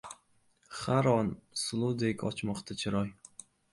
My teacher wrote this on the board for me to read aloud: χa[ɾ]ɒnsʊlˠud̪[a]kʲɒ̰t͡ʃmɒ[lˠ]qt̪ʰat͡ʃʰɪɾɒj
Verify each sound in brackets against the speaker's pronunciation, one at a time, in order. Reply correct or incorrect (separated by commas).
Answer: correct, incorrect, incorrect